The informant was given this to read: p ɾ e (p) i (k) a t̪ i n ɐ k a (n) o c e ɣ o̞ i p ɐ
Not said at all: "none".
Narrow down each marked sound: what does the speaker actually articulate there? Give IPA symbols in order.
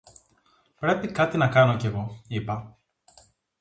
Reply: p, k, n

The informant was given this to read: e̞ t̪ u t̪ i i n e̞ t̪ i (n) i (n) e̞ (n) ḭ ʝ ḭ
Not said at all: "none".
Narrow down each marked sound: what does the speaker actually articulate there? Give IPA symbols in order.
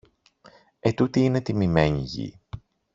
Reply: m, m, ɲ

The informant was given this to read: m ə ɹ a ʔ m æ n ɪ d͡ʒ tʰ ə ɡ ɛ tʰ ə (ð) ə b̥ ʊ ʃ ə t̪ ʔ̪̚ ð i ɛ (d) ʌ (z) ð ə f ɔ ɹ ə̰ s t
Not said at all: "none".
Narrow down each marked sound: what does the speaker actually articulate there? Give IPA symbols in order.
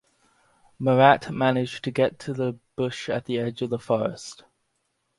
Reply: ð, d͡ʒ, v

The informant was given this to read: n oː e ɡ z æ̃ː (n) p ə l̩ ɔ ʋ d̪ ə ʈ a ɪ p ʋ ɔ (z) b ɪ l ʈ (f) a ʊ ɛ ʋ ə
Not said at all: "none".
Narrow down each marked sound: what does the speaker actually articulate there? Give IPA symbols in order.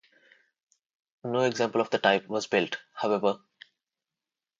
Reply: m, z, h

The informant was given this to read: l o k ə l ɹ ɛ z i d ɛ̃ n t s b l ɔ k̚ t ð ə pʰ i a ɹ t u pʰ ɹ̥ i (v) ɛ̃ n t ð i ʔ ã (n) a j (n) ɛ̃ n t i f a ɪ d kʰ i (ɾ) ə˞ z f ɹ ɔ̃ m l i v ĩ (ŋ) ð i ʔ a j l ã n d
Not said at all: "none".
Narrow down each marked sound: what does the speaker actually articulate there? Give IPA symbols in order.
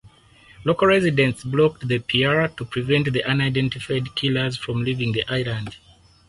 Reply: v, n, d, l, ŋ

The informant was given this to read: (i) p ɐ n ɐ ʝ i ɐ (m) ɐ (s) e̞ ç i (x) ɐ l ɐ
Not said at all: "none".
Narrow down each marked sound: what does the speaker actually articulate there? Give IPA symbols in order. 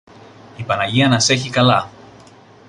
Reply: i, n, s, k

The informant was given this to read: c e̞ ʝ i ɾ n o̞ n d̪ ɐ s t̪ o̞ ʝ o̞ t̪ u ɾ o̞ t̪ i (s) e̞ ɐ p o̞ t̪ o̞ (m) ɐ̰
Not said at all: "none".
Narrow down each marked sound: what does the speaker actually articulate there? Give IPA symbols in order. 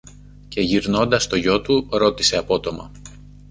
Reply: s, m

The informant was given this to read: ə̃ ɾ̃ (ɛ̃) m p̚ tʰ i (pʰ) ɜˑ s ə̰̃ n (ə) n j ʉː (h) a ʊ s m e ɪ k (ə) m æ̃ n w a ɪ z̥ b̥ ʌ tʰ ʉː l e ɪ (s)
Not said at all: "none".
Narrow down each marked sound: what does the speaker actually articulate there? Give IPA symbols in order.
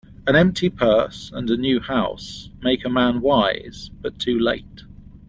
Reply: ɛ̃, pʰ, ə, h, ə, t

